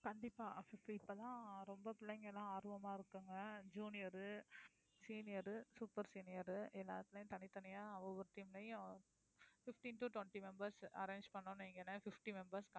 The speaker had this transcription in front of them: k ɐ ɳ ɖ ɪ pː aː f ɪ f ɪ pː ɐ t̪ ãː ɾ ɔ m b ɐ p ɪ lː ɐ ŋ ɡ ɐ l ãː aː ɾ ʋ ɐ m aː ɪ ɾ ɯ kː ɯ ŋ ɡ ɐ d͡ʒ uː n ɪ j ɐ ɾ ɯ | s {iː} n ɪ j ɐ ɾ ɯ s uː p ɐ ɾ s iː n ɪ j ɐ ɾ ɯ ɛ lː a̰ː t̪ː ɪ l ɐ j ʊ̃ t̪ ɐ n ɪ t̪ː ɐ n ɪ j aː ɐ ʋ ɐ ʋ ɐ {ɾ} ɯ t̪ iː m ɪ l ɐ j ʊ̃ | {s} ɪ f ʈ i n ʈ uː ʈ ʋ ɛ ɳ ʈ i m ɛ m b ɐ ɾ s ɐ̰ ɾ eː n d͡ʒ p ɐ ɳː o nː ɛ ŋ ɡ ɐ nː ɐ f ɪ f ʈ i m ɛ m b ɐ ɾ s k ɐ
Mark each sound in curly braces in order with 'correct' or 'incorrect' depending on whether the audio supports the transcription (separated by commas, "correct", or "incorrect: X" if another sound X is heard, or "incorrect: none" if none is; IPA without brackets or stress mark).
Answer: correct, correct, incorrect: f